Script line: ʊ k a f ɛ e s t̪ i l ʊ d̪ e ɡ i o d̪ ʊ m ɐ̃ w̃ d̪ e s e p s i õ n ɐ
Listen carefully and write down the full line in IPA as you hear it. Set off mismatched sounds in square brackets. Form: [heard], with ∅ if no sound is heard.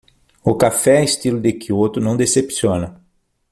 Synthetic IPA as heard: ʊ k a f ɛ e s t̪ i l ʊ d̪ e [k] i o [t̪] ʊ [n] ɐ̃ w̃ d̪ e s e p s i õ n ɐ